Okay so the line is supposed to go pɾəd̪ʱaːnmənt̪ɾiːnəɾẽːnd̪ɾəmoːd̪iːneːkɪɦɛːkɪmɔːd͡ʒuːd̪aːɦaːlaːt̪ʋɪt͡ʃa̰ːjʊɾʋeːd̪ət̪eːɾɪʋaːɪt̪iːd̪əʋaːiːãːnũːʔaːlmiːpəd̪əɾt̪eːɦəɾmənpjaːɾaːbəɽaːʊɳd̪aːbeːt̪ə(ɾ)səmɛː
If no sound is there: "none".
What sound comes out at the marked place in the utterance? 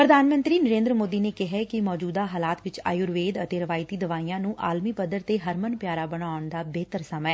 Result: ɾ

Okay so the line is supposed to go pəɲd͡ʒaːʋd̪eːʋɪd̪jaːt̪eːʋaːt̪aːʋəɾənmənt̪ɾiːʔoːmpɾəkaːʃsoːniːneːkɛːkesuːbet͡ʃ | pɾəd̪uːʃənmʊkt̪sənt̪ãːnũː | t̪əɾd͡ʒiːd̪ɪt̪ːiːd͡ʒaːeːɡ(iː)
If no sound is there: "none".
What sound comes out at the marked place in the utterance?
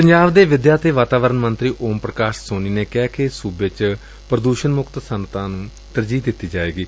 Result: iː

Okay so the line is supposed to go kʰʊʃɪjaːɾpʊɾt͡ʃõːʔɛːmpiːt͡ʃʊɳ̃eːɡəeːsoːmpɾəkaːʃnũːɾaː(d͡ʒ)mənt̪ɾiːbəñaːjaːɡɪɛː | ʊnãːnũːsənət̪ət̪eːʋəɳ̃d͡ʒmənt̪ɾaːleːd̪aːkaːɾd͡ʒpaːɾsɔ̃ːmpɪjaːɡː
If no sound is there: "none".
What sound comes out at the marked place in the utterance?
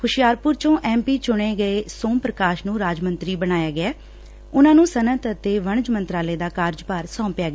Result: d͡ʒ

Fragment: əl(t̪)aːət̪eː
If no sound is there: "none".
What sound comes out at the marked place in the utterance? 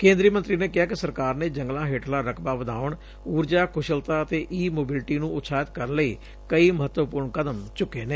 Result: t̪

